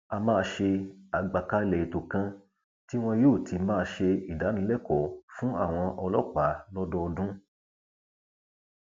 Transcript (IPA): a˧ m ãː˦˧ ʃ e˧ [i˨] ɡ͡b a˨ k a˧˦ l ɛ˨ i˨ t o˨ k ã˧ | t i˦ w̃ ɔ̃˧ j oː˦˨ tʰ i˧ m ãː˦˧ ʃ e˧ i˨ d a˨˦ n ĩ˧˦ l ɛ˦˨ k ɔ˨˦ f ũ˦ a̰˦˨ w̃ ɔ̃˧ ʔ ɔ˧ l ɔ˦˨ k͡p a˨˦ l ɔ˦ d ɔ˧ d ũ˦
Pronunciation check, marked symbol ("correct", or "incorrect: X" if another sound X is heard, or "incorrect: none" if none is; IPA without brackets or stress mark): incorrect: a˨